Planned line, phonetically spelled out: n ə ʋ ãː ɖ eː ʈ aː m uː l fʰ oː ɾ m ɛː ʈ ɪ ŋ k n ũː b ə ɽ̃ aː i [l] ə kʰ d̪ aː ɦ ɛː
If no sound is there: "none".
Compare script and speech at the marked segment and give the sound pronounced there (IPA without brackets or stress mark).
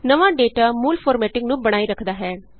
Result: ɾ